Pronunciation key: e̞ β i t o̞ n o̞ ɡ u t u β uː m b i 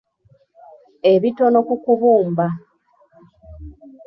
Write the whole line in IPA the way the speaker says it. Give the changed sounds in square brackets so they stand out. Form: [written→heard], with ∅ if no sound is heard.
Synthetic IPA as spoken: e̞ β i t o̞ n o̞ [ɡ→k] u [t→k] u β uː m b [i→a]